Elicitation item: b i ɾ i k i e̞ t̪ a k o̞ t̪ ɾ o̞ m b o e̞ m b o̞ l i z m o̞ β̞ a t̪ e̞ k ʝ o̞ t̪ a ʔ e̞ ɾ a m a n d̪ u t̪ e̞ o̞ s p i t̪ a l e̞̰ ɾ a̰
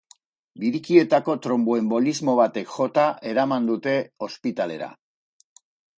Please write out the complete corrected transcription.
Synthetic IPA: b i ɾ i k i e̞ t̪ a k o̞ t̪ ɾ o̞ m b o e̞ m b o̞ l i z m o̞ β̞ a t̪ e̞ k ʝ o̞ t̪ a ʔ e̞ ɾ a m a n d̪ u t̪ e̞ o̞ s p i t̪ a l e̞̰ ɾ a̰